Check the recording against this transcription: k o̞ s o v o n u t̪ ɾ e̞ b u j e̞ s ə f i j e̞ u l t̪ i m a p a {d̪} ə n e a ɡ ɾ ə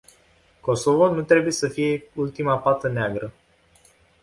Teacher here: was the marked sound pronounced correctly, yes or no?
no